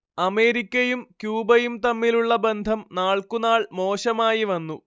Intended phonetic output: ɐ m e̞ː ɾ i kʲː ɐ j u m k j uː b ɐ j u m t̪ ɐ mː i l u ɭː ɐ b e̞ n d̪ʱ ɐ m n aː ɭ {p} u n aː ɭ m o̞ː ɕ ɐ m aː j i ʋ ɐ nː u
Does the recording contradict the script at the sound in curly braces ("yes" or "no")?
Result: yes